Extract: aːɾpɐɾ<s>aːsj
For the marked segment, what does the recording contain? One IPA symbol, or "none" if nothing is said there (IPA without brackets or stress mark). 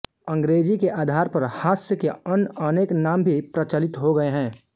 h